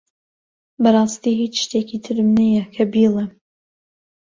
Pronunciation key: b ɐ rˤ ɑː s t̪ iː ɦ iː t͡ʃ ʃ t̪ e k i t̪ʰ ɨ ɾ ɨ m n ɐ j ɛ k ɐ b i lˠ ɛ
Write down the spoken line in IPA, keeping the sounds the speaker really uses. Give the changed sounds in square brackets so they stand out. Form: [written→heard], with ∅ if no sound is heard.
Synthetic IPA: b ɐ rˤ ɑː s t̪ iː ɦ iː t͡ʃ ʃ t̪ e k i t̪ʰ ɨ ɾ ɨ m n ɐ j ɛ [k→kʰ] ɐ b i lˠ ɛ